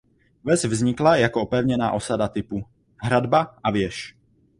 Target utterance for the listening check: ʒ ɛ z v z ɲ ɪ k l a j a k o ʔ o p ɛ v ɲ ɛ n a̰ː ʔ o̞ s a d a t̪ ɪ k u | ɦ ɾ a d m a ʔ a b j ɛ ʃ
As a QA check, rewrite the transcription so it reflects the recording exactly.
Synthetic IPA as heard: v ɛ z v z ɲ ɪ k l a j a k o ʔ o p ɛ v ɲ ɛ n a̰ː ʔ o̞ s a d a t̪ ɪ p u | ɦ ɾ a d b a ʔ a v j ɛ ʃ